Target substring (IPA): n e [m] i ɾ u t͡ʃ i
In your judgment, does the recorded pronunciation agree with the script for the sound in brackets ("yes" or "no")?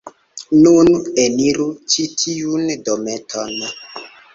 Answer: no